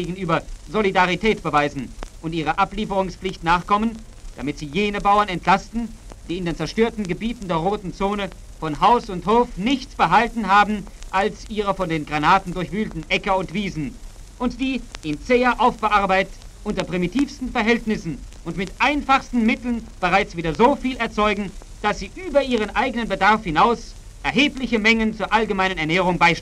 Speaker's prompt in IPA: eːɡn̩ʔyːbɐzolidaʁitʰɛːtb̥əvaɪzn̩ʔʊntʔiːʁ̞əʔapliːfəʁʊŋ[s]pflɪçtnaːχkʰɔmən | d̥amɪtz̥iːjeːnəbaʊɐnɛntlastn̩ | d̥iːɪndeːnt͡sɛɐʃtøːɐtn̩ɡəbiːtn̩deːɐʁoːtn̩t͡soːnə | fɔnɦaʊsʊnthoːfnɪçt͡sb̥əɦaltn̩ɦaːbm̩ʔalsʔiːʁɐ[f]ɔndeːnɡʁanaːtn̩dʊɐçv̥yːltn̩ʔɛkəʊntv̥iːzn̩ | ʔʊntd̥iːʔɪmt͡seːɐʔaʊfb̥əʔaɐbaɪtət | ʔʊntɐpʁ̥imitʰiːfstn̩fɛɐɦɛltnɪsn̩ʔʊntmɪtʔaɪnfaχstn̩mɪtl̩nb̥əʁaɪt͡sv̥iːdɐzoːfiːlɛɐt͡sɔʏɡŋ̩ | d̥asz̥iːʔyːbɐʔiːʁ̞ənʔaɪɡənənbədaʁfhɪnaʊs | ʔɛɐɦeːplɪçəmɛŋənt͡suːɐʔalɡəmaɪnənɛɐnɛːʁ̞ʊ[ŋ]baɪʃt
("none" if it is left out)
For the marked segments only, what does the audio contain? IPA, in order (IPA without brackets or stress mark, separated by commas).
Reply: s, f, ŋ